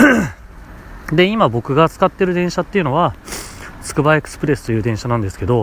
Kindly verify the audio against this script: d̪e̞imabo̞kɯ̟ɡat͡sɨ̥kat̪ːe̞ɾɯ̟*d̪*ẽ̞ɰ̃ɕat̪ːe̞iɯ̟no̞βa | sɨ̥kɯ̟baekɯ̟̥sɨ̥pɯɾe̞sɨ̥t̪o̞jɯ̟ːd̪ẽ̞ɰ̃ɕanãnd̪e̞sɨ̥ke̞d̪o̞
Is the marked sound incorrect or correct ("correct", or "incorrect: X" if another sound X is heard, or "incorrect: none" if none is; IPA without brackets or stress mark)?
correct